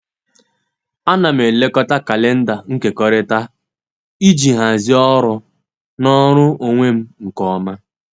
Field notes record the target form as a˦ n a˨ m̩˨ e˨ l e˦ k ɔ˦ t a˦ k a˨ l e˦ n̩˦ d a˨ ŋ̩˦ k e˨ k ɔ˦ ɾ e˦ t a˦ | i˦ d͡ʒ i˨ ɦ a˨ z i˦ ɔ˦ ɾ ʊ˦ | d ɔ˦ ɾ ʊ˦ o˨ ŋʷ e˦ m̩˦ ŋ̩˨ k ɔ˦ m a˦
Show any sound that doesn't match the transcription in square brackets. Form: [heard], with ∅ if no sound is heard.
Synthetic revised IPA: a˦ n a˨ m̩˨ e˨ l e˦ k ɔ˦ t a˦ k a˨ l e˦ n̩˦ d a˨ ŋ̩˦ k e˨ k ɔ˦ ɾ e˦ t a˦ | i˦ d͡ʒ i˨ ɦ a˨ z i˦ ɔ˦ ɾ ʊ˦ | [n] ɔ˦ ɾ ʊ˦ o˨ ŋʷ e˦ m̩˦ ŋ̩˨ k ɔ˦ m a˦

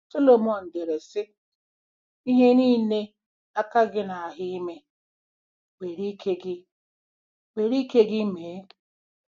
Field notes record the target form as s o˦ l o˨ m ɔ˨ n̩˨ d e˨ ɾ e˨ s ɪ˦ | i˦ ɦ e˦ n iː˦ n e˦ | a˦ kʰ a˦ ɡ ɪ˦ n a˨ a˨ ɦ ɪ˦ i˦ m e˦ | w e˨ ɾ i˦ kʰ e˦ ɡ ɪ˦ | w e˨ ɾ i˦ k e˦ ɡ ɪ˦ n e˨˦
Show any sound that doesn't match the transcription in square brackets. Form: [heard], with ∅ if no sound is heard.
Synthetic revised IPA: s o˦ l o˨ m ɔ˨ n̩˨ d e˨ ɾ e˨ s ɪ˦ | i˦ ɦ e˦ n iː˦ n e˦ | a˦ [k] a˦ ɡ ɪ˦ n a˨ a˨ ɦ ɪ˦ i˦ m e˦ | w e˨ ɾ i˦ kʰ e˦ ɡ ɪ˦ | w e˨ ɾ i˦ k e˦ ɡ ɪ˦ [m] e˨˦

